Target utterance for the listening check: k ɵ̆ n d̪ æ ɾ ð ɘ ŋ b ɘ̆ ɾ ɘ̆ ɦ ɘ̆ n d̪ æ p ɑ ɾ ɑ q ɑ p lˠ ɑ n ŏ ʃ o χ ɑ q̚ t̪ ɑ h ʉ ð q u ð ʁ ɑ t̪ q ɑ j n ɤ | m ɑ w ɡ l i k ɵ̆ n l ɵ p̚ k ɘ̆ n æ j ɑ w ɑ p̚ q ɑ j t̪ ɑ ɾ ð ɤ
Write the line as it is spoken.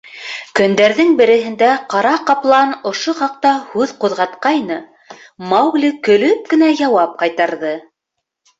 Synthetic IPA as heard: k ɵ̆ n d̪ æ ɾ ð ɘ ŋ b ɘ̆ ɾ ɘ̆ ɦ ɘ̆ n d̪ æ q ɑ ɾ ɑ q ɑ p lˠ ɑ n ŏ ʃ o χ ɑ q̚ t̪ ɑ h ʉ ð q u ð ʁ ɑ t̪ q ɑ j n ɤ | m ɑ w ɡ l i k ɵ̆ l ɵ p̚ k ɘ̆ n æ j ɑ w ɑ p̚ q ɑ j t̪ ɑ ɾ ð ɤ